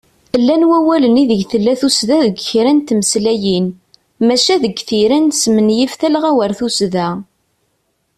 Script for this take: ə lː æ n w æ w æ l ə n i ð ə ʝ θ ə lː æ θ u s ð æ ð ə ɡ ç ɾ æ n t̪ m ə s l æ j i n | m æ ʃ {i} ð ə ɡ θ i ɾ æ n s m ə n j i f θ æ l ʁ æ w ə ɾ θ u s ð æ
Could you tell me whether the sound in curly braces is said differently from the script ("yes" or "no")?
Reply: yes